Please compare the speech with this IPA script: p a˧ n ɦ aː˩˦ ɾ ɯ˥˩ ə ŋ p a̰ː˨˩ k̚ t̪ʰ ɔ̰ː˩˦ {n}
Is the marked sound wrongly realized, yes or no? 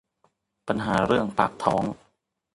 yes